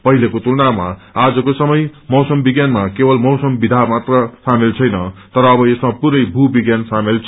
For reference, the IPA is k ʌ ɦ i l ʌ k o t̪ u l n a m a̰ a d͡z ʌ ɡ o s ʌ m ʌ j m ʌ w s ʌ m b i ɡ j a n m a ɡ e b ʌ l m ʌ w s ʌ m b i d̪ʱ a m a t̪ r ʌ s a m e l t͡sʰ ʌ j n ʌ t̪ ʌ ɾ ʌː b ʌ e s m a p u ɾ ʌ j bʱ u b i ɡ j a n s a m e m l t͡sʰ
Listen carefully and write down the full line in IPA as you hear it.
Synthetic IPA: p ʌ ɦ i l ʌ k o t̪ u l n a m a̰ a d͡z ʌ k o s ʌ m ʌ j m ʌ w s ʌ m b i ɡ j a n m a k e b ʌ l m ʌ w s ʌ m b i d̪ʱ a m a t̪ r ʌ s a m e l t͡sʰ ʌ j n ʌ t̪ ʌ ɾ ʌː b ʌ e s m a p u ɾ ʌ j bʱ u b i ɡ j a n s a m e l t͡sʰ